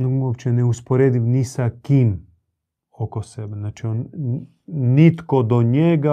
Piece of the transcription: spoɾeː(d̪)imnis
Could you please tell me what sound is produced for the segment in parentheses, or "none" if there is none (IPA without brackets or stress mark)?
d̪